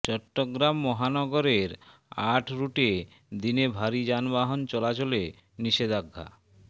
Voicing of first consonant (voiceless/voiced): voiceless